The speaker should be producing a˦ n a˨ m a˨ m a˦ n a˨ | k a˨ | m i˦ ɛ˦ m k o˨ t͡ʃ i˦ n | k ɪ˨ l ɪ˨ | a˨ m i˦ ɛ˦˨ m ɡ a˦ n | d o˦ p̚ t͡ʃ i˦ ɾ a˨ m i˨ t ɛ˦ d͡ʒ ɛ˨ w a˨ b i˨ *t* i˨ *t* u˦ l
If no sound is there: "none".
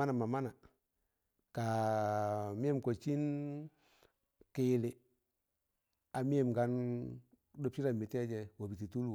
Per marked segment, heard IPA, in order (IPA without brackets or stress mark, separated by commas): t, t